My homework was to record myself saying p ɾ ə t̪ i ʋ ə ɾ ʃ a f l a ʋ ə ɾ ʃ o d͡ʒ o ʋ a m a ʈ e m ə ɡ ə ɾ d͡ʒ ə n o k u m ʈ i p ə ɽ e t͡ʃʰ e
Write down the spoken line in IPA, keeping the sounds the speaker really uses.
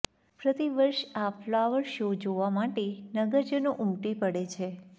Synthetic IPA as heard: p ɾ ə t̪ i ʋ ə ɾ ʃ a f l a ʋ ə ɾ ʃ o d͡ʒ o ʋ a m a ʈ e n ə ɡ ə ɾ d͡ʒ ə n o ʔ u m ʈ i p ə ɽ e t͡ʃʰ e